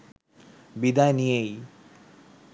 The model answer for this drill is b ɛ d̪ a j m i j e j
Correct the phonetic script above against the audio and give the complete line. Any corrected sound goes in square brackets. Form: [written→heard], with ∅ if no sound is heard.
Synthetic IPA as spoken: b [ɛ→i] d̪ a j [m→n] i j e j